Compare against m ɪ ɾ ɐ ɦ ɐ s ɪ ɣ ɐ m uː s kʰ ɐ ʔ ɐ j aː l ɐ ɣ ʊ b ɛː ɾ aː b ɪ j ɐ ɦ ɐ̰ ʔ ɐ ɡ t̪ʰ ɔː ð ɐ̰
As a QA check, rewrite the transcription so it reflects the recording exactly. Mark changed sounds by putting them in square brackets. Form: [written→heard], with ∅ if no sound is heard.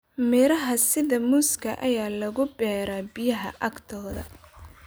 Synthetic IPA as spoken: m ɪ ɾ ɐ ɦ ɐ s ɪ [ɣ→ð] ɐ m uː s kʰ ɐ ʔ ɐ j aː l ɐ ɣ ʊ b ɛː ɾ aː b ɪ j ɐ ɦ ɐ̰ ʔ ɐ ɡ t̪ʰ ɔː ð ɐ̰